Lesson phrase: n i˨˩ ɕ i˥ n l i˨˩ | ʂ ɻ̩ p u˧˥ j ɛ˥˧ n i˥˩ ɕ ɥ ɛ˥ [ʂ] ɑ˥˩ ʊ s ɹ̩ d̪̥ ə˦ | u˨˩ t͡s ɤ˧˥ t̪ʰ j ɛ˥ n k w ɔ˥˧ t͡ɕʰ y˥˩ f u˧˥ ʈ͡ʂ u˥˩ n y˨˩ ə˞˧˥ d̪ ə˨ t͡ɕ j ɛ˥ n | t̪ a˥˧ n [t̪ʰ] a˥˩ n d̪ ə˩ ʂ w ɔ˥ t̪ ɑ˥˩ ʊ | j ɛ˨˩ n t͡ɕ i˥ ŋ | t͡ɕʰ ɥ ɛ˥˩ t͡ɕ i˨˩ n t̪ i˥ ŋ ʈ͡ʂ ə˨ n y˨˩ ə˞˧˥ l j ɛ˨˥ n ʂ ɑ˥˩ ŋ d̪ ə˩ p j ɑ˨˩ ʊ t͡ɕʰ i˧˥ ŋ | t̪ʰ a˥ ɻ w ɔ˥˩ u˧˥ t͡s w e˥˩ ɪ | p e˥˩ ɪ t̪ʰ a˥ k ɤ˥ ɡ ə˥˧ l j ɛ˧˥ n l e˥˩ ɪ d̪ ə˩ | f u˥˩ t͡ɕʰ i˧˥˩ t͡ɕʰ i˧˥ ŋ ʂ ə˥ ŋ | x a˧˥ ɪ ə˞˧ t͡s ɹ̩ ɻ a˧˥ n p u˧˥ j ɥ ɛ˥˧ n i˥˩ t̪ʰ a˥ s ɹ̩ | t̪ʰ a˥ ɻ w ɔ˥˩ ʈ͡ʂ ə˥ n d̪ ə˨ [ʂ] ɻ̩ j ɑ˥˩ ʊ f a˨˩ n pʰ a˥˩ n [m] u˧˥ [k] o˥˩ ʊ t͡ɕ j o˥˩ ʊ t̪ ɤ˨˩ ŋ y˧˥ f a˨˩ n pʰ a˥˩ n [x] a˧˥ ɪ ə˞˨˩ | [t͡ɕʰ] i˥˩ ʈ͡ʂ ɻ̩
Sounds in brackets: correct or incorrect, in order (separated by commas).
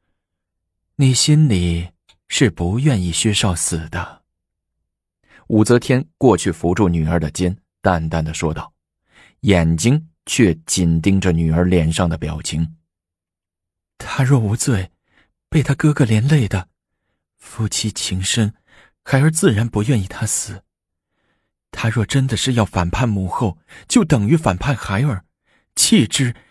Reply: correct, incorrect, correct, correct, incorrect, correct, correct